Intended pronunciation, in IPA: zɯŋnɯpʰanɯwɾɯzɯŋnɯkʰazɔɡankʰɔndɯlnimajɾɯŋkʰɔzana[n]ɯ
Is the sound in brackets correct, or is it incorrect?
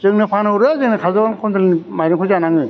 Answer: incorrect